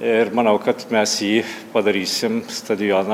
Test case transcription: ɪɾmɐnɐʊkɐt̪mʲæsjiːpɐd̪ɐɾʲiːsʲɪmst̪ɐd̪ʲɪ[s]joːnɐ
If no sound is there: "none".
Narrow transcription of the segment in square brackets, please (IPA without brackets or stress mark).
none